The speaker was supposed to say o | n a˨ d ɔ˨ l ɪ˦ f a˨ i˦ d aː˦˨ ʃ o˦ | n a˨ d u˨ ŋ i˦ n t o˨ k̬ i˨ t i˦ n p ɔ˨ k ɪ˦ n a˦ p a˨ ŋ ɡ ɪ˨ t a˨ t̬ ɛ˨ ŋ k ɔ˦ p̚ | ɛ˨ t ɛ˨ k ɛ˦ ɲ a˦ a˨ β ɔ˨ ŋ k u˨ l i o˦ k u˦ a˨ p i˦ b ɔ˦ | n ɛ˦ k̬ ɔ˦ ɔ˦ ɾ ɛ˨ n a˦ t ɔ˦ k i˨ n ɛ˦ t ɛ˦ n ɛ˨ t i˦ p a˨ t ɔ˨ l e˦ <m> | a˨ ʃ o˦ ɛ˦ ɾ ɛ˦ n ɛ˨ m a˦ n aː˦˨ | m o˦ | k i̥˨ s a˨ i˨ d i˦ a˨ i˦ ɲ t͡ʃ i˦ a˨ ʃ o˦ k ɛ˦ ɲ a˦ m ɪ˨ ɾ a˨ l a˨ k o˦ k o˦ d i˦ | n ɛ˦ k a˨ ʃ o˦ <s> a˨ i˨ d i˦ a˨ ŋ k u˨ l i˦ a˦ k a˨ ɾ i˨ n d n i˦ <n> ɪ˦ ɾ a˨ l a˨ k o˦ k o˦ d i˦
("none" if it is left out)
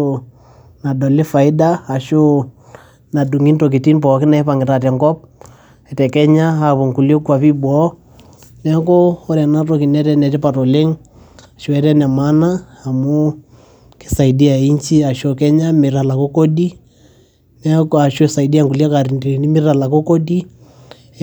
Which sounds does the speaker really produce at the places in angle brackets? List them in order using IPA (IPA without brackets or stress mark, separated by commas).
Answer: ŋ, s, m